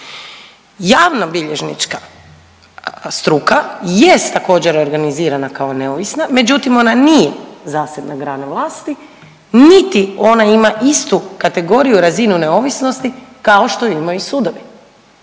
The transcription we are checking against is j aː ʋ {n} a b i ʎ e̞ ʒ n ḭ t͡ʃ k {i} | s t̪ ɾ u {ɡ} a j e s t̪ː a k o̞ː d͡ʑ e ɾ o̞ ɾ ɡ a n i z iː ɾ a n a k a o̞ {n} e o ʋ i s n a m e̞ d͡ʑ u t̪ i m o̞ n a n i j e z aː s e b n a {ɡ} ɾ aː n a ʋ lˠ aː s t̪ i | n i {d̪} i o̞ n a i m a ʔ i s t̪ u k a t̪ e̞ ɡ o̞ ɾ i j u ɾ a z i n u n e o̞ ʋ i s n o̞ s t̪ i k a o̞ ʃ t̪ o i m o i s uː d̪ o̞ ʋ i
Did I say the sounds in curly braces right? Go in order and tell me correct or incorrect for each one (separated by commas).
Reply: correct, incorrect, incorrect, correct, correct, incorrect